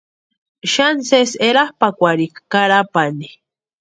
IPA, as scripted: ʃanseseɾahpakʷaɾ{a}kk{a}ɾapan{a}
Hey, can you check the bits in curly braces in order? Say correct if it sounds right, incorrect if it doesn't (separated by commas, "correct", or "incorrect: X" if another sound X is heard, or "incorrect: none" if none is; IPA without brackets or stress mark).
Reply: incorrect: i, correct, incorrect: i